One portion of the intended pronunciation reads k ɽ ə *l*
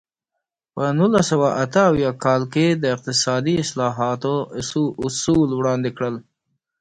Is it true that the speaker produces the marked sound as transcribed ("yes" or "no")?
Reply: yes